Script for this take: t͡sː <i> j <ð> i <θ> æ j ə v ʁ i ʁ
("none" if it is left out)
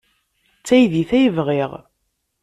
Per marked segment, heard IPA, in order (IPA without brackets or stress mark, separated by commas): æ, ð, θ